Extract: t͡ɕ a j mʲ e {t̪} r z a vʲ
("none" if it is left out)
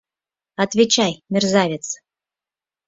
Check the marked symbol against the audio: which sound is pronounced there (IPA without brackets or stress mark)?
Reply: none